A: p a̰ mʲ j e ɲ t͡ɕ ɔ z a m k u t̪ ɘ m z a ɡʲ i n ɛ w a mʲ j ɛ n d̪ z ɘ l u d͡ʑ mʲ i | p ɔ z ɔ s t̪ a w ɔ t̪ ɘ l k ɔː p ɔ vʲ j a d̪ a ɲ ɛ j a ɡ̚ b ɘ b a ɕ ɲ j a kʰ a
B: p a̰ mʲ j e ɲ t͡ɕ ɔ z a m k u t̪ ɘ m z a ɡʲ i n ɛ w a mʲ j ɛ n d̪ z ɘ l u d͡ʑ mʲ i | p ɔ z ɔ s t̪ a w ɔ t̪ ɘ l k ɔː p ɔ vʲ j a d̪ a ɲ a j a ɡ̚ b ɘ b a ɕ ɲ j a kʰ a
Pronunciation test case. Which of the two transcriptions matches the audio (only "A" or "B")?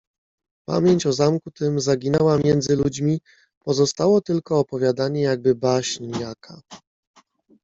A